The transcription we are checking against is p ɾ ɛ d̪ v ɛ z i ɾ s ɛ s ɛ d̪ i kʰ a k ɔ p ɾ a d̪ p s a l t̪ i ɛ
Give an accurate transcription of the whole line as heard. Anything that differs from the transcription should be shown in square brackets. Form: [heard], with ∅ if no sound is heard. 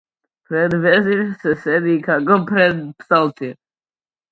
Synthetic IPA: p ɾ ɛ d̪ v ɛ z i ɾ s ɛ s ɛ d̪ i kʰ a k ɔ p ɾ [ɛ] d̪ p s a l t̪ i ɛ